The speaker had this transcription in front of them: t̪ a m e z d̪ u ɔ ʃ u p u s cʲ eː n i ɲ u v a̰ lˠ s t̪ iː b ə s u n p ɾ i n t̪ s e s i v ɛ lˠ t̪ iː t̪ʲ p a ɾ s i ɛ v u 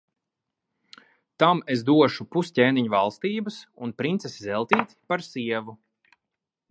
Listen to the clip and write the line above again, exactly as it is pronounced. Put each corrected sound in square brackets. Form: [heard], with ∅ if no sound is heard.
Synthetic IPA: t̪ a m e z d̪ u ɔ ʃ u p u s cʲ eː n i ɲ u v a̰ lˠ s t̪ iː b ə s u n p ɾ i n t̪ s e s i [z] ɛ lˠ t̪ iː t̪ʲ p a ɾ s i ɛ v u